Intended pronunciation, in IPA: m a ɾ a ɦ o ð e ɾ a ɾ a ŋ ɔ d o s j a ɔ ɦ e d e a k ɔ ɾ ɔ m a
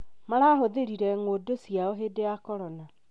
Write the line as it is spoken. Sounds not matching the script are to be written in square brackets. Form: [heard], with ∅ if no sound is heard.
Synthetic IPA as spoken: m a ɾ a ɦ o ð e ɾ [i] ɾ [ɛ] ŋ [o] d o s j a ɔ ɦ e d e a k ɔ ɾ ɔ [n] a